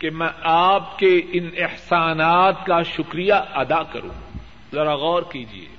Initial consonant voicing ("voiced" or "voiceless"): voiceless